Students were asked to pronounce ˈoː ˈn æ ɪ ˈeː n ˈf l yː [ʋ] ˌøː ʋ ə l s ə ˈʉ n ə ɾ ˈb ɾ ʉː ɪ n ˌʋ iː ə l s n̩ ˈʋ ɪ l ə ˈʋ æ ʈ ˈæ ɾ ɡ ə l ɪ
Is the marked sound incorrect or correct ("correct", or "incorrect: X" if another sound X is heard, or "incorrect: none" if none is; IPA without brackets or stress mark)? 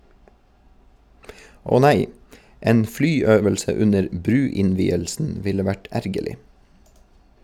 incorrect: none